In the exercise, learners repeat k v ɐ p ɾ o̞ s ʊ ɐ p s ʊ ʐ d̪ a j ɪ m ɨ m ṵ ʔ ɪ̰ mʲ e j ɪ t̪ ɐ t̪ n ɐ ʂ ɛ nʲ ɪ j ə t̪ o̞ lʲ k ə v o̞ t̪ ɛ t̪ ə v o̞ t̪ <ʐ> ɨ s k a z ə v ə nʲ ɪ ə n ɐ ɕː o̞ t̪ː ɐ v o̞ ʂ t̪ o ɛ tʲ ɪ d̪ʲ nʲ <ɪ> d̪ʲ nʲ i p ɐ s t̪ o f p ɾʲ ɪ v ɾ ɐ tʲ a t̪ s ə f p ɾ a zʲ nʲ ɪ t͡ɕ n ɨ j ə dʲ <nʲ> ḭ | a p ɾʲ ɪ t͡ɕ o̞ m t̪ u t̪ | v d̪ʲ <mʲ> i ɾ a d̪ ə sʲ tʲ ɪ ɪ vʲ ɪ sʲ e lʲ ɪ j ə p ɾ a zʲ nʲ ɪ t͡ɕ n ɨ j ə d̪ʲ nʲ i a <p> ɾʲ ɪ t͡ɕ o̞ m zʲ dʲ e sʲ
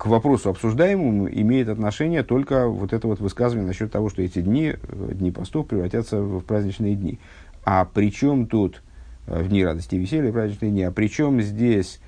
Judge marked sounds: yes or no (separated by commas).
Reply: no, no, yes, no, yes